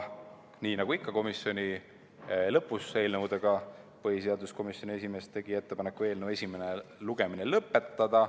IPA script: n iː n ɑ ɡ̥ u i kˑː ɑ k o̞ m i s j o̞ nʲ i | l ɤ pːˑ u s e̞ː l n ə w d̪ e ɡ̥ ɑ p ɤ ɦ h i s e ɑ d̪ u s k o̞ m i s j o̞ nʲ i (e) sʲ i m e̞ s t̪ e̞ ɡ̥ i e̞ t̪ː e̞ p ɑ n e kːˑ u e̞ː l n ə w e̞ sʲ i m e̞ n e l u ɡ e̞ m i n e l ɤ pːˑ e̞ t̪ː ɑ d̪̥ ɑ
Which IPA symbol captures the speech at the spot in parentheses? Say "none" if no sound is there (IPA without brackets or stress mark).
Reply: e